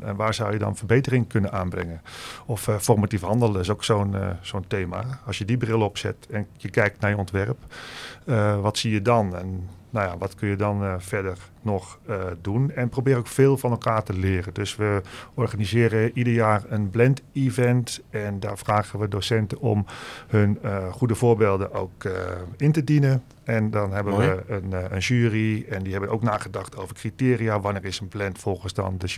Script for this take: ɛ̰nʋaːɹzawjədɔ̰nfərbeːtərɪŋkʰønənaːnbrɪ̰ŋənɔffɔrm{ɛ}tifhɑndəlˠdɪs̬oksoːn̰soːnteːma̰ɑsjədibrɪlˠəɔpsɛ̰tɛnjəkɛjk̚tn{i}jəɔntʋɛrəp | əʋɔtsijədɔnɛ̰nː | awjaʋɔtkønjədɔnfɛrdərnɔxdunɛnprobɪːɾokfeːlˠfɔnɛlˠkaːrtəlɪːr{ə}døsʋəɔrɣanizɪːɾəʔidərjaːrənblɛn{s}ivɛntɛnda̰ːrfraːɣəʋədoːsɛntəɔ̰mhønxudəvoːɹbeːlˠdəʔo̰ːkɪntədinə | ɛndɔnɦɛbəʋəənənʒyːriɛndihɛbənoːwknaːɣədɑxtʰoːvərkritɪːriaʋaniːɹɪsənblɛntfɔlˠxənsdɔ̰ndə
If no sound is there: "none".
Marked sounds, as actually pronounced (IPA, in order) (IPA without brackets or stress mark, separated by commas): a, a, ə, t